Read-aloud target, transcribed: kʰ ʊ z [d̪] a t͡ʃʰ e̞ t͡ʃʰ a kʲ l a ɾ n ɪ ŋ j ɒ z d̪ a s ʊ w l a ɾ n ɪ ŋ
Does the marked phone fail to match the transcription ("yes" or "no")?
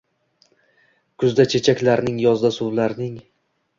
no